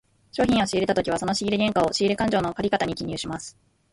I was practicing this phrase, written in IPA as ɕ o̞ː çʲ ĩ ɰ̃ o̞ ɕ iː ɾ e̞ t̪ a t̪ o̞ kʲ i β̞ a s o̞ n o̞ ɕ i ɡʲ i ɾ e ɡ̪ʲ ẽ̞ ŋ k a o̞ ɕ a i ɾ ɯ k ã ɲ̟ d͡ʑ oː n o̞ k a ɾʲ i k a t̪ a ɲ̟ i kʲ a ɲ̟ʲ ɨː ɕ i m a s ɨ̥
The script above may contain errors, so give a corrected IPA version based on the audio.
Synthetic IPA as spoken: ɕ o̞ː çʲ ĩ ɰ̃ o̞ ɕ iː ɾ e̞ t̪ a t̪ o̞ kʲ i β̞ a s o̞ n o̞ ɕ i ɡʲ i ɾ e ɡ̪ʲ ẽ̞ ŋ k a o̞ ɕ i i ɾ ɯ k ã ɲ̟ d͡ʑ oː n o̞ k a ɾʲ i k a t̪ a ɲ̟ i kʲ i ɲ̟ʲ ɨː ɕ i m a s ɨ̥